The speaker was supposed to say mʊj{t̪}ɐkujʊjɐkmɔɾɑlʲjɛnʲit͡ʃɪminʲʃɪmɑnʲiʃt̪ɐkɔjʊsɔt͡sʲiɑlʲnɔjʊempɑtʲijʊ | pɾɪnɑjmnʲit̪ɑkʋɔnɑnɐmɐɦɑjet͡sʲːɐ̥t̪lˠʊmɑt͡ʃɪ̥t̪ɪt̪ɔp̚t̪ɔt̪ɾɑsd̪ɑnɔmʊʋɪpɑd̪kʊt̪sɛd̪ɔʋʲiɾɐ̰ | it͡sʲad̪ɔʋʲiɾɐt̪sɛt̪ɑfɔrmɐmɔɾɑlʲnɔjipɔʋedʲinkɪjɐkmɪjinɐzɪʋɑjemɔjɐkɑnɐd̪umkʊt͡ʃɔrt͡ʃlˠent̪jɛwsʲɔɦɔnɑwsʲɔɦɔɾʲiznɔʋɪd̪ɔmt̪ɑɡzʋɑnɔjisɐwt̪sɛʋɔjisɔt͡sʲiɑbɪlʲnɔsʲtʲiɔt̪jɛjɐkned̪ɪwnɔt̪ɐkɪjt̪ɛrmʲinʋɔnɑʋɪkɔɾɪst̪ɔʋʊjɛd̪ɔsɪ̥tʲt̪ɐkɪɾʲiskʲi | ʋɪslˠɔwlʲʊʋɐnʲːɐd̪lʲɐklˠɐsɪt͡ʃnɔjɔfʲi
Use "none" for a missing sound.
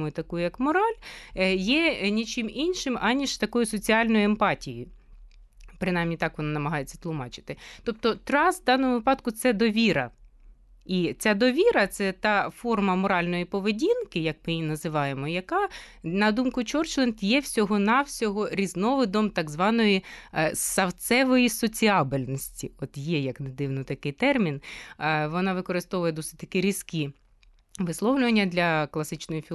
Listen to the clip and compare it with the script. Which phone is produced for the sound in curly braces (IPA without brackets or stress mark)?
t̪